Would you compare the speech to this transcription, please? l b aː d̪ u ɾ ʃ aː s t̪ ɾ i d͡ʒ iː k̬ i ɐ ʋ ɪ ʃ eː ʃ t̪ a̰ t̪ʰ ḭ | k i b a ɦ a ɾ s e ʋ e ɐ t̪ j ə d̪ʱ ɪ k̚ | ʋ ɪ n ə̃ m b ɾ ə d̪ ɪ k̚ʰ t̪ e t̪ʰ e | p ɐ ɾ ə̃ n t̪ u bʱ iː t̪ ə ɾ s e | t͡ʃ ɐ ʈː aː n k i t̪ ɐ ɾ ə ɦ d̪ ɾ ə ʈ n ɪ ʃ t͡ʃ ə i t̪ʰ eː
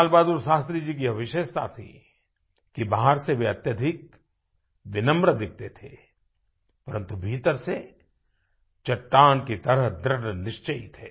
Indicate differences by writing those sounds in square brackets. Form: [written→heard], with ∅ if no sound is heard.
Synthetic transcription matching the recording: l b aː d̪ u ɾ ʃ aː s t̪ ɾ i d͡ʒ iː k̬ i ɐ ʋ ɪ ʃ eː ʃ t̪ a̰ t̪ʰ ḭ | k i b a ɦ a ɾ s e ʋ e ɐ t̪ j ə d̪ʱ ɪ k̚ | ʋ ɪ n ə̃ m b ɾ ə d̪ ɪ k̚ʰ t̪ e t̪ʰ e | p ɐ ɾ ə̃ n t̪ u bʱ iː t̪ ə ɾ s e | t͡ʃ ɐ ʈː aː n k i t̪ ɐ ɾ ə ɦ d̪ ɾ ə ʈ n ɪ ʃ t͡ʃ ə i t̪ʰ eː